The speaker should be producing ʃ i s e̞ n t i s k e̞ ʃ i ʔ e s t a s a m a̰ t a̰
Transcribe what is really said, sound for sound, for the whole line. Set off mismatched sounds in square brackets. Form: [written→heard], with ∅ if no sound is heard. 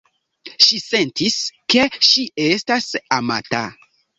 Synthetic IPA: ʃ i s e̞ n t i s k e̞ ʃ i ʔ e s t a s a m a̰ t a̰